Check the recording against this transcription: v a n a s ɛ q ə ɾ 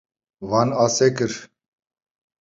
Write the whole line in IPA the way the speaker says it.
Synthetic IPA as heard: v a n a s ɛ k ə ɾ